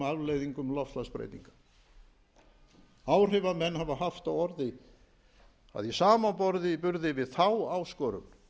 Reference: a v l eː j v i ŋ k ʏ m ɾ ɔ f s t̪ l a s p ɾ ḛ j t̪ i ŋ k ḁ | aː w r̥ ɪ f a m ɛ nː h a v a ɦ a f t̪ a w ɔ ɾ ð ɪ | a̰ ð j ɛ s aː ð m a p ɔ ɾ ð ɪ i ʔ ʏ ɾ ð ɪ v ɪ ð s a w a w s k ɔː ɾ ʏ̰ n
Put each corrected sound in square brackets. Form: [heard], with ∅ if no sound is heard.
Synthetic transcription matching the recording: a v l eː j [ð] i ŋ k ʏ m [l] ɔ f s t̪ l a s p ɾ ḛ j t̪ i ŋ k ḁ | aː w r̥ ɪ [v] a m ɛ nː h a v a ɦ a f t̪ a w ɔ ɾ ð ɪ | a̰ ð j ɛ s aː [∅] m a p ɔ ɾ ð ɪ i [p] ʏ ɾ ð ɪ v ɪ ð [θ] a w a w s k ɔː ɾ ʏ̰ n

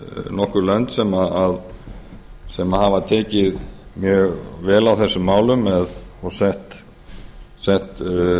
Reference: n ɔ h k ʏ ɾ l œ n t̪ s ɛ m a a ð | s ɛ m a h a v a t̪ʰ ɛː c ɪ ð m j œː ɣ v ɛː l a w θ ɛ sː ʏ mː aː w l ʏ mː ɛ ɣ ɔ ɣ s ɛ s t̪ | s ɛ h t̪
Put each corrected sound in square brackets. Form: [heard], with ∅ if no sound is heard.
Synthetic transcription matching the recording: n ɔ h k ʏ ɾ l œ n t̪ s ɛ m a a ð | s ɛ m a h a v a t̪ʰ ɛː c ɪ ð m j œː ɣ v ɛː l a w θ ɛ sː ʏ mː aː w l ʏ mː ɛ [ð] ɔ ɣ s ɛ [h] t̪ | s ɛ h t̪

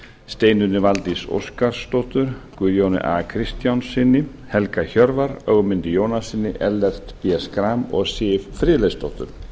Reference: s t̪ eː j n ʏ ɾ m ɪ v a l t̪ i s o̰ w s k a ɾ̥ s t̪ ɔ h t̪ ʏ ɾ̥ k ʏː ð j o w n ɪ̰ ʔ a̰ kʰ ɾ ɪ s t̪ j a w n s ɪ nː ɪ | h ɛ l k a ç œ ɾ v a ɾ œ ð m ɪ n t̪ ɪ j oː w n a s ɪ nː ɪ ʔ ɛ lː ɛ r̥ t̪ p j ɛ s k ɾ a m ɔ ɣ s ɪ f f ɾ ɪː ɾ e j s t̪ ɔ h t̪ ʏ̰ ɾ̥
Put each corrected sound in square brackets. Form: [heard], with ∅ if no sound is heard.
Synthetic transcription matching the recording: s t̪ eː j n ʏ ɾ [n] ɪ v a l t̪ i s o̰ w s k a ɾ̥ s t̪ ɔ h t̪ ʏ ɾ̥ k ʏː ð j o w n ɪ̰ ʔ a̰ kʰ ɾ ɪ s t̪ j a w n s ɪ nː ɪ | h ɛ l k a ç œ ɾ v a ɾ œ [ɣ] m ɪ n t̪ ɪ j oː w n a s ɪ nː ɪ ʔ ɛ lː ɛ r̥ t̪ p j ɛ s k ɾ a m ɔ ɣ s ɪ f f ɾ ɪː [l] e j s t̪ ɔ h t̪ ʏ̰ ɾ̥

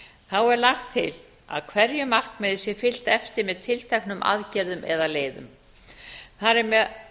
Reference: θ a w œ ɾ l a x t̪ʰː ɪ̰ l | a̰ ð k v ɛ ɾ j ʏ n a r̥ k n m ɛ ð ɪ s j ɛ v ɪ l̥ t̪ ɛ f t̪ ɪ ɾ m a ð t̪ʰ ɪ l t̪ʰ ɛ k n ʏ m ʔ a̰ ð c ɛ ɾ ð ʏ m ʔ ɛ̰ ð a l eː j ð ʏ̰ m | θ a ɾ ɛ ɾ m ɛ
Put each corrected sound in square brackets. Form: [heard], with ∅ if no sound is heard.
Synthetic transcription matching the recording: θ a w [ɛ] ɾ l a x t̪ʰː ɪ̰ l | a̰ ð [kʰ] v ɛ ɾ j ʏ [m] a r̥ k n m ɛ ð ɪ s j ɛ [f] ɪ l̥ t̪ ɛ f t̪ ɪ ɾ m [ɛ] ð t̪ʰ ɪ l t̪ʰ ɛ k n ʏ m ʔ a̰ ð c ɛ ɾ ð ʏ m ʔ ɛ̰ ð a l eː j ð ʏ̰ m | θ a ɾ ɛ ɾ m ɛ

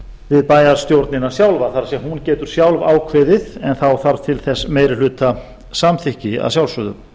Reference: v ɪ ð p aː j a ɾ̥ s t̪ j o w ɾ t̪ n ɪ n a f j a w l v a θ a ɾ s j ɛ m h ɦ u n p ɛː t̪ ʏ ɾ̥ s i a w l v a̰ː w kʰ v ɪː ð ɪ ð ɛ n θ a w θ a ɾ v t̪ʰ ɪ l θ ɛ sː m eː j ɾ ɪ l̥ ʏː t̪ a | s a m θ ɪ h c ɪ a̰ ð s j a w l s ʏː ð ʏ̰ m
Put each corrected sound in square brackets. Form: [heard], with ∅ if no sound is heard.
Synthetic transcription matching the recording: v ɪ ð p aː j a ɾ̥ s t̪ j o w ɾ t̪ n ɪ n a [s] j a w l v a θ a ɾ s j ɛ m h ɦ u n [c] ɛː t̪ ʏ ɾ̥ s [j] a w l v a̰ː w kʰ v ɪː ð ɪ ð ɛ n θ a w θ a ɾ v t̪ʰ ɪ l θ ɛ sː m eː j ɾ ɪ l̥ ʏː t̪ a | s a m θ ɪ h c ɪ a̰ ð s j a w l s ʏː ð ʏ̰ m

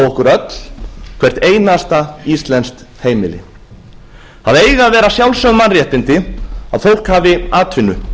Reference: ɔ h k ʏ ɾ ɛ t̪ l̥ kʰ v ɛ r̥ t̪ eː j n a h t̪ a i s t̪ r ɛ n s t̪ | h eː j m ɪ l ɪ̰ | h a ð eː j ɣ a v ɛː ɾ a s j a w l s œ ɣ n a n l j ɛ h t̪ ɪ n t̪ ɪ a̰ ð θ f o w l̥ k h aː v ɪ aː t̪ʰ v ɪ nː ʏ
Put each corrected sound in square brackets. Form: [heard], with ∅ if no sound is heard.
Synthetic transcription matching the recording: ɔ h k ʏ ɾ [œ] t̪ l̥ kʰ v ɛ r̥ t̪ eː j n a [s] t̪ a i s t̪ [l] ɛ n s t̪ | h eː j m ɪ l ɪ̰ | h a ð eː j ɣ a v ɛː ɾ a s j a w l s œ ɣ [m] a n [r] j ɛ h t̪ ɪ n t̪ ɪ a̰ ð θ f o w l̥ k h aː v ɪ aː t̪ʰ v ɪ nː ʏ

